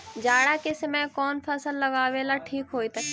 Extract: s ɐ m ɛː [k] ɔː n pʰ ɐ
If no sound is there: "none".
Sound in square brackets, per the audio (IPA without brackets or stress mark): k